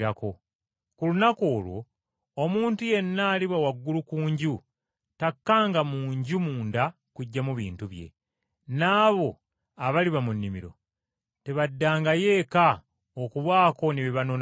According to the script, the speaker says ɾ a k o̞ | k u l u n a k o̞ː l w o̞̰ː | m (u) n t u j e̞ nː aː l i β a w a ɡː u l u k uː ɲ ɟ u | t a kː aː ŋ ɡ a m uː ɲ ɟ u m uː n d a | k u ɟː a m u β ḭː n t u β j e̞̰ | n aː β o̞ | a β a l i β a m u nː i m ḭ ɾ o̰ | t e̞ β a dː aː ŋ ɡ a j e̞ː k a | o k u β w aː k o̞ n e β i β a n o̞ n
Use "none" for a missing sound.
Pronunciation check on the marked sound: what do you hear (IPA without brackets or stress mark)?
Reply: uː